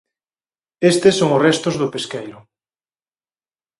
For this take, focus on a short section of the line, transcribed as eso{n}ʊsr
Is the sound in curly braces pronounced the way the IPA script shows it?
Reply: no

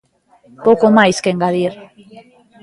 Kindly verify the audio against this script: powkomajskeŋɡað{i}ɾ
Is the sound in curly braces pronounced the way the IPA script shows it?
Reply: yes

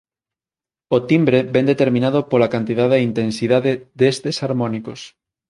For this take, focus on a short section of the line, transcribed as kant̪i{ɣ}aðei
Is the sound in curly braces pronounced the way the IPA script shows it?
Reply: no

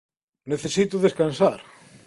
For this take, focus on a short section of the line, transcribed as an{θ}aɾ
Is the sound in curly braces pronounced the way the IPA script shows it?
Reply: no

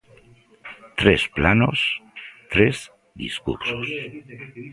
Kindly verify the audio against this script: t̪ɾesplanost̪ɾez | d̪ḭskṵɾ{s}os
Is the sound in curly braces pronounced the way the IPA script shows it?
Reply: yes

